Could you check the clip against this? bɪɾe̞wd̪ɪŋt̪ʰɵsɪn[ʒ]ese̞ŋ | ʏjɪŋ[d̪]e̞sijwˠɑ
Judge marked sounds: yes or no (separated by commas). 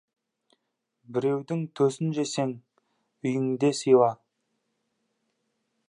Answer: yes, yes